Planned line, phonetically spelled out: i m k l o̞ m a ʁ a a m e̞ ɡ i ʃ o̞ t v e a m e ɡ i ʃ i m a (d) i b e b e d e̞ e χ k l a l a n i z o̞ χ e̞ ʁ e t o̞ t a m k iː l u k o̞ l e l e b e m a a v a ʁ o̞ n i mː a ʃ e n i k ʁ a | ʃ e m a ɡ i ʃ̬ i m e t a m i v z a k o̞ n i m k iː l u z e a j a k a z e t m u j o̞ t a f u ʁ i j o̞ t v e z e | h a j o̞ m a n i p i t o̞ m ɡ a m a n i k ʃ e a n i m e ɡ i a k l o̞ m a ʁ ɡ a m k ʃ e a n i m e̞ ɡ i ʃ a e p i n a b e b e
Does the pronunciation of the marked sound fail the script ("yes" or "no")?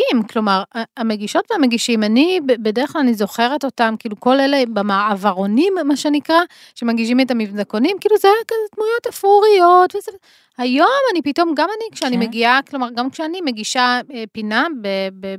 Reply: yes